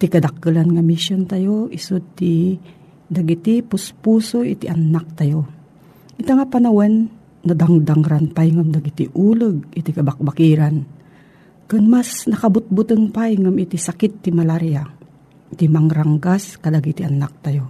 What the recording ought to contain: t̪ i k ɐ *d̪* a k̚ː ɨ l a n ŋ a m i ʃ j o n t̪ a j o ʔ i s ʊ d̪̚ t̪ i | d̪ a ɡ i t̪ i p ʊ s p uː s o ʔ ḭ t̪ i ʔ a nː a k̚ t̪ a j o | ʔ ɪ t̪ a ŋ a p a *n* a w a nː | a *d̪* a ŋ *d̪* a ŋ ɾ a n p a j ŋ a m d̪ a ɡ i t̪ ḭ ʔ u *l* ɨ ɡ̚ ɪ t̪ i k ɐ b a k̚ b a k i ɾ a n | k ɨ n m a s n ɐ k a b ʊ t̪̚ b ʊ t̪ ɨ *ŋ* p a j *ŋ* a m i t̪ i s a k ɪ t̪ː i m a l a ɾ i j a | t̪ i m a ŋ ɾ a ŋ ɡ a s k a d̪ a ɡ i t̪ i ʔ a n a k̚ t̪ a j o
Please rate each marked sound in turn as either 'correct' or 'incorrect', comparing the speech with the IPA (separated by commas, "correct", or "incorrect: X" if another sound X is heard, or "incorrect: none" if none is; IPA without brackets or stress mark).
correct, correct, correct, correct, correct, correct, correct